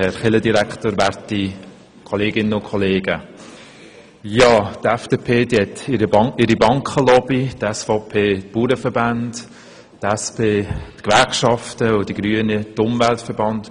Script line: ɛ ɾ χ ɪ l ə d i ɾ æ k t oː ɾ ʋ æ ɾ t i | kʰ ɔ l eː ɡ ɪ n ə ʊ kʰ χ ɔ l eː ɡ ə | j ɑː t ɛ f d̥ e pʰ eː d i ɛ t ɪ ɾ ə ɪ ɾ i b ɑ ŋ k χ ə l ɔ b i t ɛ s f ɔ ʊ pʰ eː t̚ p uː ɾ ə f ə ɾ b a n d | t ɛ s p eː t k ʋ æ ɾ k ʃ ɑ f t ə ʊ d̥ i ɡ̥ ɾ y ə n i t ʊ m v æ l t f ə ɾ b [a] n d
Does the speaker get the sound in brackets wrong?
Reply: yes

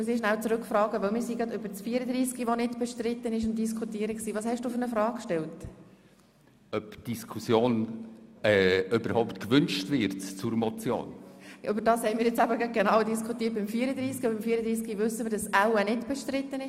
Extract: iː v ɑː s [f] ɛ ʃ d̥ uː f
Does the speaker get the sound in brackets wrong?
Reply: yes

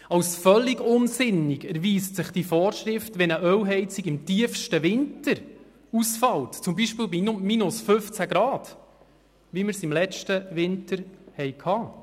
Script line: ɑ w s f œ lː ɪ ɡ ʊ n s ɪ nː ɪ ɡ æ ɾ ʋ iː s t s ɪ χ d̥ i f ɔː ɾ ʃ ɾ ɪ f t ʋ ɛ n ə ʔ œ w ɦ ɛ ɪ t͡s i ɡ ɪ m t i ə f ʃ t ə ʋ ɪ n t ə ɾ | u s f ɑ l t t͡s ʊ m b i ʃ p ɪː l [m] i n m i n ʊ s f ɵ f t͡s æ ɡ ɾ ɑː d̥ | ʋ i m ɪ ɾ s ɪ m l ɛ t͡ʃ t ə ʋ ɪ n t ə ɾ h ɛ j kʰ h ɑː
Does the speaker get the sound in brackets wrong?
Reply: yes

